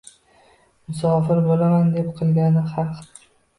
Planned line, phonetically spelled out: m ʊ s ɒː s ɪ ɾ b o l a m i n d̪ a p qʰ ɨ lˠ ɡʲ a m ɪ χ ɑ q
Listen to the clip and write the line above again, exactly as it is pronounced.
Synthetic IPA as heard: m ʊ s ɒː f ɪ ɾ b o l a m a n d̪ e p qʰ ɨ lˠ ɡʲ a n ɪ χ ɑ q